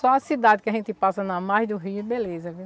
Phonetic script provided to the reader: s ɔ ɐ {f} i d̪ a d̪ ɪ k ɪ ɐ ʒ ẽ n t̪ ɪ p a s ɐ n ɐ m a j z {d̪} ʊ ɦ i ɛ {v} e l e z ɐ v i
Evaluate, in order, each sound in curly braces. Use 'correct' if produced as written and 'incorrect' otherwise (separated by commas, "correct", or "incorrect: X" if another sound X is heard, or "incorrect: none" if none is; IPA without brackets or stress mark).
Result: incorrect: s, correct, incorrect: b